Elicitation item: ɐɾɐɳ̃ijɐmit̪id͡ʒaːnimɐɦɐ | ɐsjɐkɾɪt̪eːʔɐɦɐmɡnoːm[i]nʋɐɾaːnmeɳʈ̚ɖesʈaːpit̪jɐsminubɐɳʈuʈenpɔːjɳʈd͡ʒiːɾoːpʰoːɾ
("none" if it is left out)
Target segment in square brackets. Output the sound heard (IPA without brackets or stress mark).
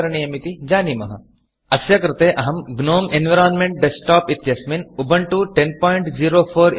e